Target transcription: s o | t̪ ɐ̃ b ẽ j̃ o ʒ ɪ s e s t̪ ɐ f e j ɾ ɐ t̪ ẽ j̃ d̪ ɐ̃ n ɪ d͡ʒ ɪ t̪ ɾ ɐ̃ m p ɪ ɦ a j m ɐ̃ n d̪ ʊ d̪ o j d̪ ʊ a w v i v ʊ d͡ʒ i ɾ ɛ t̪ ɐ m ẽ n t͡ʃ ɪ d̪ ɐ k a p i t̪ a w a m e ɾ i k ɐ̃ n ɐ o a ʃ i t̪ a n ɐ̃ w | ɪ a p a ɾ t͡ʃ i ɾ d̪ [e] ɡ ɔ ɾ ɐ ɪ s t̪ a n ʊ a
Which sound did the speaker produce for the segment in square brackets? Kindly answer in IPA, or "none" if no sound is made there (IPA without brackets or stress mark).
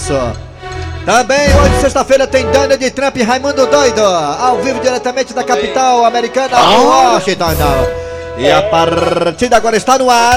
a